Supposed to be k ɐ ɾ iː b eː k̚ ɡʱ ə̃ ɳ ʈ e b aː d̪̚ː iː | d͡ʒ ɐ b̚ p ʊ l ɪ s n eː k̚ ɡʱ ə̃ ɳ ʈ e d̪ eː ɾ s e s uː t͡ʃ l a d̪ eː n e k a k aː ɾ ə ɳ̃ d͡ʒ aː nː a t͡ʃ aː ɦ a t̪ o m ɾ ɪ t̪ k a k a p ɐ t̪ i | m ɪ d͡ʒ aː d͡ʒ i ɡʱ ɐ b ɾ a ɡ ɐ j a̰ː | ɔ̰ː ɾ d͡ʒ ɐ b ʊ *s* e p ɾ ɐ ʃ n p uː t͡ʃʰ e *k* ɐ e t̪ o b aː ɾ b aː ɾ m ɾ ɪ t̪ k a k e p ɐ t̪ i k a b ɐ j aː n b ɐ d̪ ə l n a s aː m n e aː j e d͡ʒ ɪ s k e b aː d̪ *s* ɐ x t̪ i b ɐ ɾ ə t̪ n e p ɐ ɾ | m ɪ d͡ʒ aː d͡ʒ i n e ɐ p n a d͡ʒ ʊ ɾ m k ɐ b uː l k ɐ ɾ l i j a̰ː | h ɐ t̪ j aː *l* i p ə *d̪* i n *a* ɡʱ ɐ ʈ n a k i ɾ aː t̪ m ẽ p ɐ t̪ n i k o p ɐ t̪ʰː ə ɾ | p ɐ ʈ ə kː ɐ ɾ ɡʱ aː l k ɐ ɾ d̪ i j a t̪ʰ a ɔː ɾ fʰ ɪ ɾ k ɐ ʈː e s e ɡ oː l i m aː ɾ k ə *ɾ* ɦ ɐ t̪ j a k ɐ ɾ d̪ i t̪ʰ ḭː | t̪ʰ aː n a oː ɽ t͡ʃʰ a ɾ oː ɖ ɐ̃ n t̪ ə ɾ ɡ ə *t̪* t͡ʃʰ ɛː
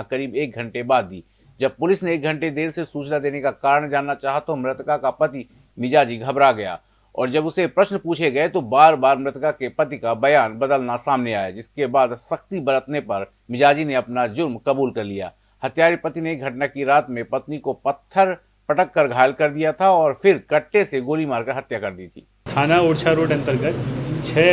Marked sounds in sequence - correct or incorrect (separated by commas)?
correct, incorrect, correct, incorrect, incorrect, incorrect, correct, correct